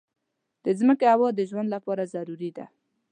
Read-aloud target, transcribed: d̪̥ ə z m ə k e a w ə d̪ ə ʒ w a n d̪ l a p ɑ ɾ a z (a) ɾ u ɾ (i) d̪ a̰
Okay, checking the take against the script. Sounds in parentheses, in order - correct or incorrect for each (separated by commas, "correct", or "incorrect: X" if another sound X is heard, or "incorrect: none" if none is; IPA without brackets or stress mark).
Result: correct, correct